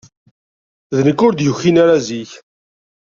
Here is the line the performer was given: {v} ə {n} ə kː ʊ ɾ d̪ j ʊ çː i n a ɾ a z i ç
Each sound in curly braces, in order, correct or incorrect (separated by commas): incorrect, correct